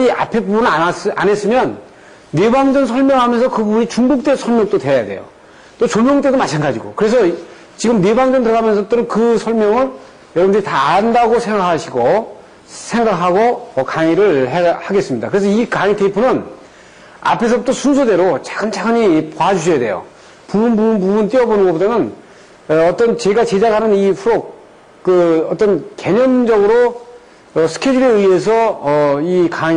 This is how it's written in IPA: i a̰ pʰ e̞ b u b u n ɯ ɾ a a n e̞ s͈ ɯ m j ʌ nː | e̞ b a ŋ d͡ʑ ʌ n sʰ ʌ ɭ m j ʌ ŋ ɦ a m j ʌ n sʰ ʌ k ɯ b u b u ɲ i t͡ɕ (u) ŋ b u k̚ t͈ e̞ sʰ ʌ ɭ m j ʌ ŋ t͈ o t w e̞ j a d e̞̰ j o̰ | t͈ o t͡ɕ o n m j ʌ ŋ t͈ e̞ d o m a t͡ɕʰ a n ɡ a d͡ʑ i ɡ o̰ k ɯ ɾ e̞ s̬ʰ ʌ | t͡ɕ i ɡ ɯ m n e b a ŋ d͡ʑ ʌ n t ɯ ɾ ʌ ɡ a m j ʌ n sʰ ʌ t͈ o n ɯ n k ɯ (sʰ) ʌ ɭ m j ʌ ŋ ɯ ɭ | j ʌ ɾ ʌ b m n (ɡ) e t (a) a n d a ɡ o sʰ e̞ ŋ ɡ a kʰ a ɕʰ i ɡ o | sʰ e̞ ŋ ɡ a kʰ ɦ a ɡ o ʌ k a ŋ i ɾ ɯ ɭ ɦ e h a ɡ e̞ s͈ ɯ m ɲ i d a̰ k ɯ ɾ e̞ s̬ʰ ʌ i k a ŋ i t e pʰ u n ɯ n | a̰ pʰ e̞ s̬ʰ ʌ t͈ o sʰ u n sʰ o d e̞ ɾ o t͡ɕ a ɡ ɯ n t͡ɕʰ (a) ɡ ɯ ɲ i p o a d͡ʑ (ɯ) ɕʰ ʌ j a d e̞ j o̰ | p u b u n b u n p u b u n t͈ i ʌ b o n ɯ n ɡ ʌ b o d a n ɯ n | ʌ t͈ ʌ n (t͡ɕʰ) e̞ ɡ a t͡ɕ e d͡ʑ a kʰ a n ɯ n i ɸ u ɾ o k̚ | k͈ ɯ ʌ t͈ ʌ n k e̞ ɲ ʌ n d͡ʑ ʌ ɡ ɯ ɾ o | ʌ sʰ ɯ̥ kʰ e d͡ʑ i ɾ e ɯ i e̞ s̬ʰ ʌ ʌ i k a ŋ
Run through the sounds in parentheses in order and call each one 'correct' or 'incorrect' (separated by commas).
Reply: correct, correct, incorrect, correct, correct, incorrect, incorrect